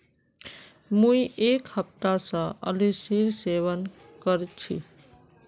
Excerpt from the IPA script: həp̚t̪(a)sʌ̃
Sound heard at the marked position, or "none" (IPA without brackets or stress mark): a